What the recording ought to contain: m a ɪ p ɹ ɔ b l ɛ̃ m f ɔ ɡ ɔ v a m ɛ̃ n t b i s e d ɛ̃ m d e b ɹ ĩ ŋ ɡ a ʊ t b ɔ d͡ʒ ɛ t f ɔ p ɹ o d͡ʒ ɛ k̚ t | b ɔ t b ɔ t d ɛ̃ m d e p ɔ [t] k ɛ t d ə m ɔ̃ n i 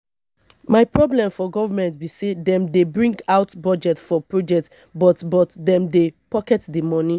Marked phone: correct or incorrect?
incorrect: none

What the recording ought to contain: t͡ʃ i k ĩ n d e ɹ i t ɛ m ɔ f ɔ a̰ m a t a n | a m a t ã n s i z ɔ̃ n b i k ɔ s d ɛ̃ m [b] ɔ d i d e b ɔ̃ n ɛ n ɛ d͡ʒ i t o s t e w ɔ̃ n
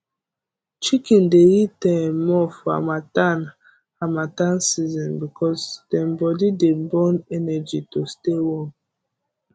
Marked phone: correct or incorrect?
correct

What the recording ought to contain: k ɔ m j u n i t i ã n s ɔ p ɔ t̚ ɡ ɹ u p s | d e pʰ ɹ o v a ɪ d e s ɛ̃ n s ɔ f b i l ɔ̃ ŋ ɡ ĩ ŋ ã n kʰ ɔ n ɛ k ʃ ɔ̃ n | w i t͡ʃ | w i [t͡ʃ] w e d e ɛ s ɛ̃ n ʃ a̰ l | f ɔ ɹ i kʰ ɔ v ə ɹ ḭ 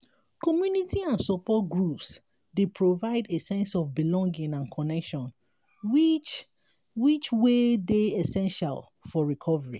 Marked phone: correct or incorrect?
correct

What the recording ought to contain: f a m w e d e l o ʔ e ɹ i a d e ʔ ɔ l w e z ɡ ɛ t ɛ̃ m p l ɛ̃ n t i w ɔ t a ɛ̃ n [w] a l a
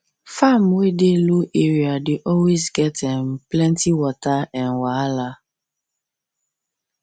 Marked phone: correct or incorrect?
correct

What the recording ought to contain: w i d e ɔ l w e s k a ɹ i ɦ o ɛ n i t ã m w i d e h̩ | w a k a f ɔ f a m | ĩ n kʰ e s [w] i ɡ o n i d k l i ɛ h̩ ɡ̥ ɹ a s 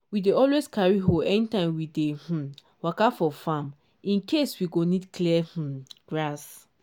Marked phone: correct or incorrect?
correct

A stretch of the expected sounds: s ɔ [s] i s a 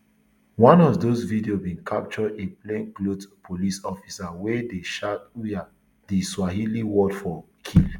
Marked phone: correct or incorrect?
incorrect: f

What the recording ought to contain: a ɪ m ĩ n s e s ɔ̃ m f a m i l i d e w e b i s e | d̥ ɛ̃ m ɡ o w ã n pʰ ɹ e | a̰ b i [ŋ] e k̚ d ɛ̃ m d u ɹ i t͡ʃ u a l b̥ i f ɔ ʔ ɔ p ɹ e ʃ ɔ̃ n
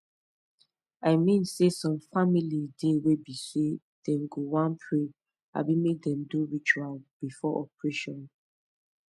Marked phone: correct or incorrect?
incorrect: m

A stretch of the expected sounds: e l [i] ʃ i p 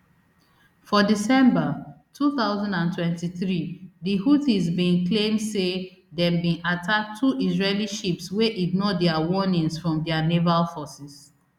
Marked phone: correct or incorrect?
correct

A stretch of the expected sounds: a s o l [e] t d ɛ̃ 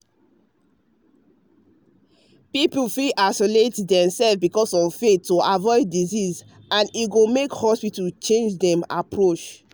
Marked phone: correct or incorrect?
correct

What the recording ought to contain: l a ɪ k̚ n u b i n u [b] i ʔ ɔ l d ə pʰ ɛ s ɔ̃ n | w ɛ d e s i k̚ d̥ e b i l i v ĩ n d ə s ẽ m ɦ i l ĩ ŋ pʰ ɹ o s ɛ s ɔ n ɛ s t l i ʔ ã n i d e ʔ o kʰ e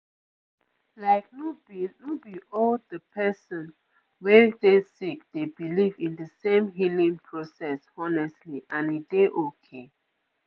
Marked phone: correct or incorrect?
correct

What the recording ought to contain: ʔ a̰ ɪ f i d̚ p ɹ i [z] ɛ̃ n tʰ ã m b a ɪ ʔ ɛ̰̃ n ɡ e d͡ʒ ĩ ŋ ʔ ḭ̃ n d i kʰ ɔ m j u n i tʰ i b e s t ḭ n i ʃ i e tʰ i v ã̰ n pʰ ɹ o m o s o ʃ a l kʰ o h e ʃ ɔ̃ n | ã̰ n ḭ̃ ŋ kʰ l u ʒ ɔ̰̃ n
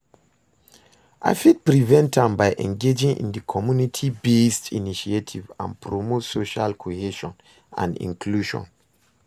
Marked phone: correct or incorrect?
incorrect: v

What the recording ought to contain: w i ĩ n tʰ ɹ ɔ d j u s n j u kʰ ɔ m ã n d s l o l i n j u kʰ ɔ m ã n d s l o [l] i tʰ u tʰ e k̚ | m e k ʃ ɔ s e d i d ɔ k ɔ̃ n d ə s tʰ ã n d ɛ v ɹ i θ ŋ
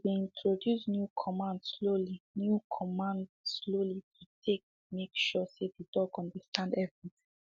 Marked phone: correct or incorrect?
correct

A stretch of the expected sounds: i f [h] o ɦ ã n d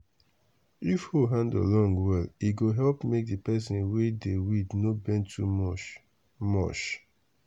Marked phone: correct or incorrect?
correct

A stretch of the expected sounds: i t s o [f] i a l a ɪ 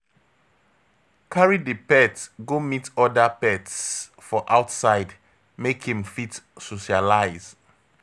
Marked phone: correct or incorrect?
incorrect: ʃ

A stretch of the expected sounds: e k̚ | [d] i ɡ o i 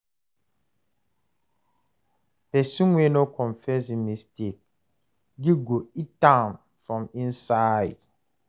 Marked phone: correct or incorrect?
incorrect: ɡ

